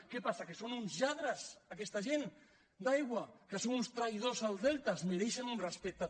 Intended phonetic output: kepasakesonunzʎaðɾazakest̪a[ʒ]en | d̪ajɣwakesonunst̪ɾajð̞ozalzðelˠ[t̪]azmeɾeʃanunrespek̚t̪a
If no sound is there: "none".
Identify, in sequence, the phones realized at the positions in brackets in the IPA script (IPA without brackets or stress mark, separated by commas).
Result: ʒ, t̪